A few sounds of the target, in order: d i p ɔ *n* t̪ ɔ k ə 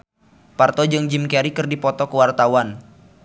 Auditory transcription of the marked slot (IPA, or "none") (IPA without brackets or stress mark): none